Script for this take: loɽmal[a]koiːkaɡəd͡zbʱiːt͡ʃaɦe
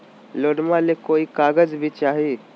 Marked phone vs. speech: incorrect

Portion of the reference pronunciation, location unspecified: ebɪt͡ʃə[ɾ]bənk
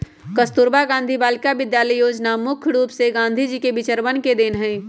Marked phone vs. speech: correct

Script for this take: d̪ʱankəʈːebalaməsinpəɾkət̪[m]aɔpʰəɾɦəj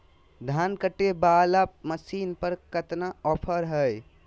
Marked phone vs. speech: incorrect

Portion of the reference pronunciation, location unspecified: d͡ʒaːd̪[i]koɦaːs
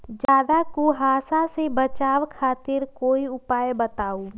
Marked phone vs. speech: incorrect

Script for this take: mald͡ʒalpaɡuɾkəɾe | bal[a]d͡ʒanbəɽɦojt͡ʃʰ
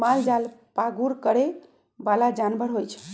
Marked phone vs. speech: correct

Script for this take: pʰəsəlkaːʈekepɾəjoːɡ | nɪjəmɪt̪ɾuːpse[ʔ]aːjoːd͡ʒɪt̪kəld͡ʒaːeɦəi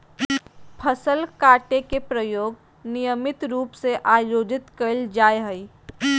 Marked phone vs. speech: correct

